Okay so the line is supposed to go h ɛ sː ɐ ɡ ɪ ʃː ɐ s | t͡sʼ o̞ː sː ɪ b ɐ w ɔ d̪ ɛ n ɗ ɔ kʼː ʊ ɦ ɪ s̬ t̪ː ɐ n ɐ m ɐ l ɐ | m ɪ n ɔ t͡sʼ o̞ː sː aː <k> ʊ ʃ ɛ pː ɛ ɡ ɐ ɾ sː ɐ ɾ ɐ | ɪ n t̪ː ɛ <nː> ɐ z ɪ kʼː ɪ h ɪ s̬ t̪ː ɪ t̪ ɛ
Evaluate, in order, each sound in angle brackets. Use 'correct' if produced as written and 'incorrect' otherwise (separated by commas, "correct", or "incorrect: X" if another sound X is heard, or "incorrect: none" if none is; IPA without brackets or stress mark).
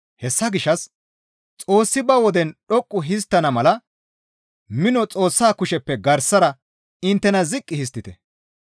correct, incorrect: n